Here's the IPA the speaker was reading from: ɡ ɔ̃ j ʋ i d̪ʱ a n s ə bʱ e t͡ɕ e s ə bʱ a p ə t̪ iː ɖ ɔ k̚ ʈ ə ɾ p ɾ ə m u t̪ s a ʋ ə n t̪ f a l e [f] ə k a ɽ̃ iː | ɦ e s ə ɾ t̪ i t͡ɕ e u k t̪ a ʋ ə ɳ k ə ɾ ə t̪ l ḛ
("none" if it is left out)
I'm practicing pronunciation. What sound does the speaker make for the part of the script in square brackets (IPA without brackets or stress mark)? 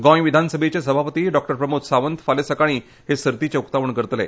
s